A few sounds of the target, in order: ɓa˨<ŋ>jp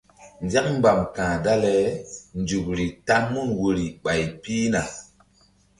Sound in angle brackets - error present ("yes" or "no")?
yes